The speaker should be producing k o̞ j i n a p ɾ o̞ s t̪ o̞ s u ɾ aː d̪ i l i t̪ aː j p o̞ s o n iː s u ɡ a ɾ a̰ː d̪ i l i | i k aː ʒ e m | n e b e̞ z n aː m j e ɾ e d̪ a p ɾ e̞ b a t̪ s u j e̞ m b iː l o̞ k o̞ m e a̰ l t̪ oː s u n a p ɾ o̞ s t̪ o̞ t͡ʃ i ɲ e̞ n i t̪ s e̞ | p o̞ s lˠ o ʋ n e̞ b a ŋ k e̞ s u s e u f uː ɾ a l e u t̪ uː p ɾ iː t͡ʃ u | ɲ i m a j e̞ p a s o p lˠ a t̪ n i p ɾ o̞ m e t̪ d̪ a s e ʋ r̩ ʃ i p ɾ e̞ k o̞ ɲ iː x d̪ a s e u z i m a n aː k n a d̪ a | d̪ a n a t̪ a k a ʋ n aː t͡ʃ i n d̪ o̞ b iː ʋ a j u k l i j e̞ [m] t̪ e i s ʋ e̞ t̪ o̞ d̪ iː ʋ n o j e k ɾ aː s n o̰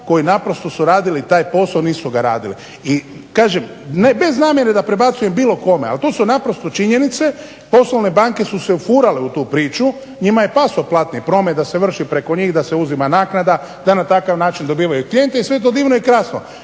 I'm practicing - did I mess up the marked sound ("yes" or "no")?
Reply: yes